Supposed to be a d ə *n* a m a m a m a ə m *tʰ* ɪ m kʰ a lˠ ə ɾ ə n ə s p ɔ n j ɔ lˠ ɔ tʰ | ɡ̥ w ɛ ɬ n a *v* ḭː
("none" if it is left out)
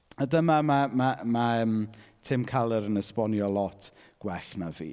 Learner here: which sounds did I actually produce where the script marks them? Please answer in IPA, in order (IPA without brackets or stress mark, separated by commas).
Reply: m, tʰ, v